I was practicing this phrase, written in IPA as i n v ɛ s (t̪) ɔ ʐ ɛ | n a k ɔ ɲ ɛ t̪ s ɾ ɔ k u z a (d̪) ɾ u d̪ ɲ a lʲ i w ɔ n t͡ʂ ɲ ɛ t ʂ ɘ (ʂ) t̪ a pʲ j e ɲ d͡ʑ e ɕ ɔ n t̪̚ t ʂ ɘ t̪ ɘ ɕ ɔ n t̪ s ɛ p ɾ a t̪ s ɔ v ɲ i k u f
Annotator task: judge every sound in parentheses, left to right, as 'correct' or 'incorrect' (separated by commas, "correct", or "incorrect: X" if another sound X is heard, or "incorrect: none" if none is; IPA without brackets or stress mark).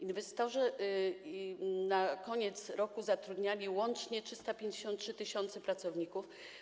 correct, incorrect: t̪, incorrect: s